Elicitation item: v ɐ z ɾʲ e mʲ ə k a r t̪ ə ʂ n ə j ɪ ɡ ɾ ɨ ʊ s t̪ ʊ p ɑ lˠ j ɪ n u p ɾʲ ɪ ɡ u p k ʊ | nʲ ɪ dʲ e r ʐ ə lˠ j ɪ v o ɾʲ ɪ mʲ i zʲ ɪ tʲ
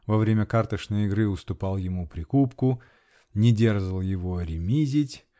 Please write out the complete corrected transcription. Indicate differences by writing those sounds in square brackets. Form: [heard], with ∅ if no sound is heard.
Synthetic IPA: v ɐ [v] ɾʲ e mʲ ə k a r t̪ ə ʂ n ə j ɪ ɡ ɾ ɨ ʊ s t̪ ʊ p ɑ lˠ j ɪ [m] u p ɾʲ ɪ [k] u p k ʊ | nʲ ɪ dʲ e r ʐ ə lˠ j ɪ v o ɾʲ ɪ mʲ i zʲ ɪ tʲ